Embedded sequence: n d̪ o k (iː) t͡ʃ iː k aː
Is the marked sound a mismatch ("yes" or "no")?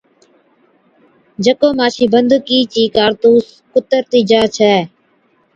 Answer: no